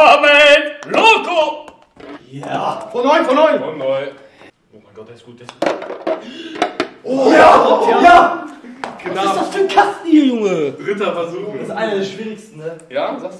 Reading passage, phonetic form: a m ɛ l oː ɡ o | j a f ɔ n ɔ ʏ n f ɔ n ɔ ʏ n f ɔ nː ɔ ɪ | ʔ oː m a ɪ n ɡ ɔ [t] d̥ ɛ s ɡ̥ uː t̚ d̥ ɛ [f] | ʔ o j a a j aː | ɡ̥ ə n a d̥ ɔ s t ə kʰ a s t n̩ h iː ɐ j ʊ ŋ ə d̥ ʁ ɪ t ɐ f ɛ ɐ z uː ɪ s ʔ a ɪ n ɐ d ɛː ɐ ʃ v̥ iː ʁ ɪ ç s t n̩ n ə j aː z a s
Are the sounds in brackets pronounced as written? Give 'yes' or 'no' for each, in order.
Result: yes, no

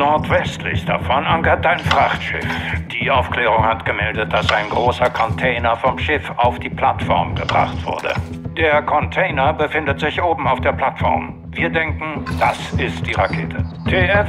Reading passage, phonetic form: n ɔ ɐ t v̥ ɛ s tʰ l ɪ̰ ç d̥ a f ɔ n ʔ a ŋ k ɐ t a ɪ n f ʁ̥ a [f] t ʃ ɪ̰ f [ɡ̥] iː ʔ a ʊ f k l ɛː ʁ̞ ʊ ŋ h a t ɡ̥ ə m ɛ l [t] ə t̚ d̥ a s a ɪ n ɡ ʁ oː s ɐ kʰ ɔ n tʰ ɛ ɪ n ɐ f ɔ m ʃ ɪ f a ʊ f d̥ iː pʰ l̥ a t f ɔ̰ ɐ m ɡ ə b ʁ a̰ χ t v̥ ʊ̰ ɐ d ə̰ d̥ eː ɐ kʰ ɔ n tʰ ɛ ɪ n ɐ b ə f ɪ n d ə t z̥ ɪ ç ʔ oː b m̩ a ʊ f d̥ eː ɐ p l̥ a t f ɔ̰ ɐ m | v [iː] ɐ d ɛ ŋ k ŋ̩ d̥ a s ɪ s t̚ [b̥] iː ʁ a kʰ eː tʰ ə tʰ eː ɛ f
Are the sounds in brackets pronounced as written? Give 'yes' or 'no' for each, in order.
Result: no, no, no, yes, no

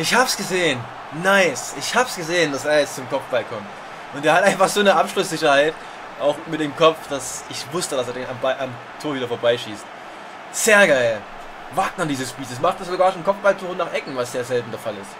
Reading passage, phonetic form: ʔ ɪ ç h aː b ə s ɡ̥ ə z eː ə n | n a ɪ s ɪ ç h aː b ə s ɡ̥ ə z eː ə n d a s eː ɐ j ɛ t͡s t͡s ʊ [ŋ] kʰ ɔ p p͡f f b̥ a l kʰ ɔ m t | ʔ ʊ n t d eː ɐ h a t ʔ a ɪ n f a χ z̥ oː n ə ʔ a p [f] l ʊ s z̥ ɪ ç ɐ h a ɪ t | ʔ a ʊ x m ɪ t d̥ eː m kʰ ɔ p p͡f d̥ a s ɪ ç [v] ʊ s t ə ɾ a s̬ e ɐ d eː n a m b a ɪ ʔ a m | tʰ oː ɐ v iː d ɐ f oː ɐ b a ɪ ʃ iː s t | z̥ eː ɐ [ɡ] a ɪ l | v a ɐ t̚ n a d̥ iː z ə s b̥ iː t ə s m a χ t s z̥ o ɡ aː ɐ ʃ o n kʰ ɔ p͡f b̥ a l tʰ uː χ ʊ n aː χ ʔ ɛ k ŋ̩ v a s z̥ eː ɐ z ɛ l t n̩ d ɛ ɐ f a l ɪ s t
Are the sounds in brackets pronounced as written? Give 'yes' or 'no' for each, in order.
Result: no, no, yes, yes

